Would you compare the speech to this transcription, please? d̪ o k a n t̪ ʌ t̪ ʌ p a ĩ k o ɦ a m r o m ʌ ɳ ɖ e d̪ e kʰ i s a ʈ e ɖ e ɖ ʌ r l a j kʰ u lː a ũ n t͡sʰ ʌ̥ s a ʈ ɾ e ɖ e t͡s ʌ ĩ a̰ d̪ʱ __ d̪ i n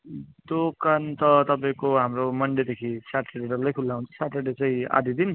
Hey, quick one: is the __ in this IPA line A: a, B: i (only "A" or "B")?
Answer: B